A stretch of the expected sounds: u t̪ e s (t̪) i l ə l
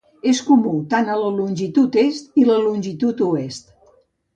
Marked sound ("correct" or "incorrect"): correct